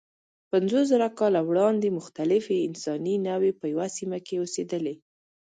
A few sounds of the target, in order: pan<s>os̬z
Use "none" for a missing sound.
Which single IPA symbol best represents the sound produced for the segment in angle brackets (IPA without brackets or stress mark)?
z